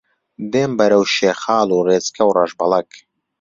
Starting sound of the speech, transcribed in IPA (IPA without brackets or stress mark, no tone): d̪